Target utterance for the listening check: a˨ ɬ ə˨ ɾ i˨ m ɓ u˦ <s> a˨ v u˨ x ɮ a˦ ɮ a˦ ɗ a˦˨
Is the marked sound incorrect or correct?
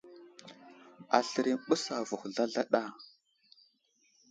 correct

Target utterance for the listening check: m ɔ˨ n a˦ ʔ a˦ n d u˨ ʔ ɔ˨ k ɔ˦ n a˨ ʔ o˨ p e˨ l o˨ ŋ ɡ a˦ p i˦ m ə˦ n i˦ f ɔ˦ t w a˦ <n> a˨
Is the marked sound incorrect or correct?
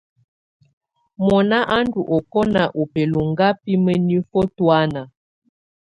correct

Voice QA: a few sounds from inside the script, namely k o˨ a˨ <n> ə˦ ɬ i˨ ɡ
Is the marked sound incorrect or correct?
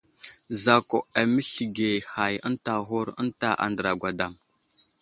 incorrect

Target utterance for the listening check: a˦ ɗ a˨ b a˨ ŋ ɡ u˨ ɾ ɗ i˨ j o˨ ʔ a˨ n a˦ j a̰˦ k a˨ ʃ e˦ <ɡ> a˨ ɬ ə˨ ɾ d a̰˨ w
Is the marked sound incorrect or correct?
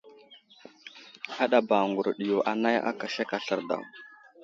incorrect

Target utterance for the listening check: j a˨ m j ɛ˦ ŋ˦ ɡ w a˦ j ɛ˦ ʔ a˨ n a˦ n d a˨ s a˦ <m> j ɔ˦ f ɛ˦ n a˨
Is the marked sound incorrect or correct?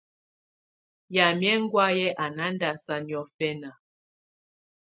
incorrect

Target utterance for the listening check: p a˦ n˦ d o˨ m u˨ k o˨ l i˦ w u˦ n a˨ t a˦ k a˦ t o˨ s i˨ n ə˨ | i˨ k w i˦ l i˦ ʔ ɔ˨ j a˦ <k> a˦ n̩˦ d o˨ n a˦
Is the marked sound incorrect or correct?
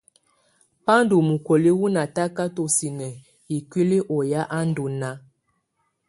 incorrect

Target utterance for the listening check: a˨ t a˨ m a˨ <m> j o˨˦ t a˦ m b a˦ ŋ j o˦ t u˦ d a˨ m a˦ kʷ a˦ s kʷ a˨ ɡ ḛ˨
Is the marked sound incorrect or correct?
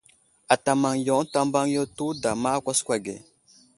incorrect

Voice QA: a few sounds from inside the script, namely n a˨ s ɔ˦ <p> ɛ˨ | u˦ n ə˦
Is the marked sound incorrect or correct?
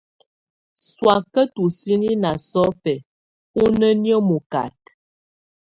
correct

